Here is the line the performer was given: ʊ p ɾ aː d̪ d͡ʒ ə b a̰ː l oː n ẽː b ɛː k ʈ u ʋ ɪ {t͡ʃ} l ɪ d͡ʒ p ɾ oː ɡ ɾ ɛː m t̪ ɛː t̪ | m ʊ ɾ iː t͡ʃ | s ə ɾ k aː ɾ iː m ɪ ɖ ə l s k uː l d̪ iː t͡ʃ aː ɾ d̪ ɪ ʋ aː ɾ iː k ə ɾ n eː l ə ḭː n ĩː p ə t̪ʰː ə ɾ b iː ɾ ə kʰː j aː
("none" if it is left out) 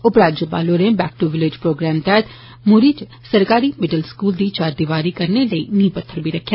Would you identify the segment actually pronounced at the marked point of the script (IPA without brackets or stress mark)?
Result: none